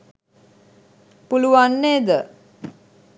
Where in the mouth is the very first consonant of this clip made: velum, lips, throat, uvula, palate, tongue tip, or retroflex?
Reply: lips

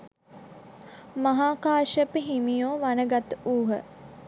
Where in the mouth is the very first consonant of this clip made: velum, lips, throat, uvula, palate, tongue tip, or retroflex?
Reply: lips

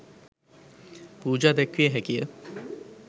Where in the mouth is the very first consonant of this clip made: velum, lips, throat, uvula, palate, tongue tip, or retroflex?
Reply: lips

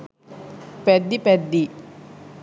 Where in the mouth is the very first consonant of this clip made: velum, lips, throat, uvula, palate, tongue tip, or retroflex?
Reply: lips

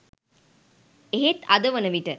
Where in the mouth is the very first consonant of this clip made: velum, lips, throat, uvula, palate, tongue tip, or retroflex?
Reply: throat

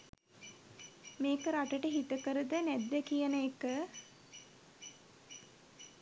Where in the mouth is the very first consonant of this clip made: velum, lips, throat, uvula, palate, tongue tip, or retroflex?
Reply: lips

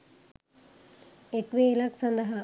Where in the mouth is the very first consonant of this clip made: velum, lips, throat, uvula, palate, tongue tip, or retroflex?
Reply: velum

